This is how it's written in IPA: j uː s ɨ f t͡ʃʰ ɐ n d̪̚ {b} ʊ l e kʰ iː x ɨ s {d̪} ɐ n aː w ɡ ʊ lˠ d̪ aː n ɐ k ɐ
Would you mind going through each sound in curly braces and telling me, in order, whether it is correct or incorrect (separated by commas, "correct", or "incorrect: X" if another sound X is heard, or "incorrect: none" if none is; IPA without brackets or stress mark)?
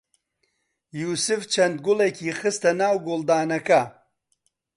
incorrect: ɡ, incorrect: t̪